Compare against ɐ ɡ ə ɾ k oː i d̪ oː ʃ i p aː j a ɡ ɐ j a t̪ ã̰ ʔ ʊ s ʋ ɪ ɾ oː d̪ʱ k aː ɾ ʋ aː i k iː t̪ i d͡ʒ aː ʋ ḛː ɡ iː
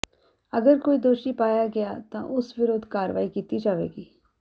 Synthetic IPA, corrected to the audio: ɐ ɡ ə ɾ k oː i d̪ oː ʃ i p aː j a ɡ ɐ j a t̪ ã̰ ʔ ʊ s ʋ ɪ ɾ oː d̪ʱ k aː ɾ ʋ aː i k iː t̪ i d͡ʒ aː ʋ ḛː ɡ iː